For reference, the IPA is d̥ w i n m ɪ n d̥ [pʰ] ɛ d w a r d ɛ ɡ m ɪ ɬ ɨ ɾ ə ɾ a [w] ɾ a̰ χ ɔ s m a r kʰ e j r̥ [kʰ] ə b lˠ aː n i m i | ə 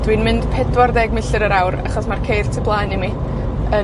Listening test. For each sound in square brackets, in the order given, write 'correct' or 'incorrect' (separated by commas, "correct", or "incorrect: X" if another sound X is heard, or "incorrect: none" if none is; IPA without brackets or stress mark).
correct, correct, incorrect: tʰ